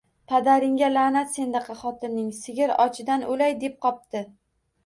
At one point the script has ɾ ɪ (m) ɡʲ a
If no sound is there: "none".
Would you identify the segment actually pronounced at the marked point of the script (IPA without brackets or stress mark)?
ŋ